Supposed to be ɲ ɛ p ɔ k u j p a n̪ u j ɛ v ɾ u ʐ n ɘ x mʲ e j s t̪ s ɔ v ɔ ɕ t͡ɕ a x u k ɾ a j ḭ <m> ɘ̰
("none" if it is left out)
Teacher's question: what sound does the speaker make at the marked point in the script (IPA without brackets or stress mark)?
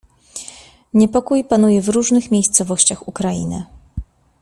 n